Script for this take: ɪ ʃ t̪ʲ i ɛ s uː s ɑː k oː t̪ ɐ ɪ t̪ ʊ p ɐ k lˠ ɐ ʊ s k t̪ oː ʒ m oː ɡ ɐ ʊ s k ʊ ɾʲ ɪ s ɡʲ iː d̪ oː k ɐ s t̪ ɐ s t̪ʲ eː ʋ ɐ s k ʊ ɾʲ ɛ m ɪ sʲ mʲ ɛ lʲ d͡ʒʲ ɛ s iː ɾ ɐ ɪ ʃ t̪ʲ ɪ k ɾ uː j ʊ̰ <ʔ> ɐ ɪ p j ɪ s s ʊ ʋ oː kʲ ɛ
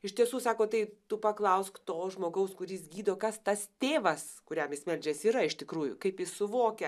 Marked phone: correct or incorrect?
incorrect